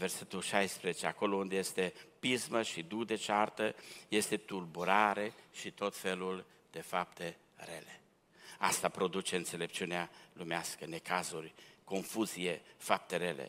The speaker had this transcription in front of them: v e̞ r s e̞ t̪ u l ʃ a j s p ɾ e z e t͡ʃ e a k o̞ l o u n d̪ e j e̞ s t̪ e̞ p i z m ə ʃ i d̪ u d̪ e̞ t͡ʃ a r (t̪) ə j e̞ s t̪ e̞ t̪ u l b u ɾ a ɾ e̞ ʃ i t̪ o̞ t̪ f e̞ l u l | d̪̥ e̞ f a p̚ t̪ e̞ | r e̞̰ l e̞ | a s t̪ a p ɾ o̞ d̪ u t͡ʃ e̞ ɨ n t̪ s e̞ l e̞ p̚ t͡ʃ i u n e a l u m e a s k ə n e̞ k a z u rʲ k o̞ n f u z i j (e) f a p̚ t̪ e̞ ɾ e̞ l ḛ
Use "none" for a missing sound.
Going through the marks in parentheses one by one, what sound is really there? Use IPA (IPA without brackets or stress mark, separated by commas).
t̪, e